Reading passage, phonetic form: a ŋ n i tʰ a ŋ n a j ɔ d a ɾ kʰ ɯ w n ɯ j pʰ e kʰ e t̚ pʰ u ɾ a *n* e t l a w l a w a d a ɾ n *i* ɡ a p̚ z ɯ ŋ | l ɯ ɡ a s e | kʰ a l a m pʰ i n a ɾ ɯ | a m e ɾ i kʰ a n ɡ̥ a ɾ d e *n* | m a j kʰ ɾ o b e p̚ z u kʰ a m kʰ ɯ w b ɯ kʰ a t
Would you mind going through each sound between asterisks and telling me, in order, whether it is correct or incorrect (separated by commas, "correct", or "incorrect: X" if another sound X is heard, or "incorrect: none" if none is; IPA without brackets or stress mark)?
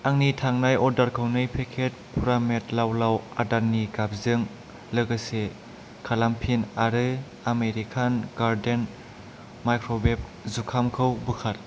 incorrect: m, correct, correct